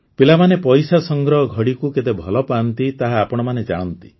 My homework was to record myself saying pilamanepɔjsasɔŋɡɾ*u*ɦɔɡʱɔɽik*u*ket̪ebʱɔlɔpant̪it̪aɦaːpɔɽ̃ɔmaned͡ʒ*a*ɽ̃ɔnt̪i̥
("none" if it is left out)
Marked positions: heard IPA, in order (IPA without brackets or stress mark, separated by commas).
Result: ɔ, u, a